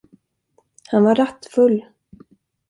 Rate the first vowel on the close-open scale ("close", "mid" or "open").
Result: open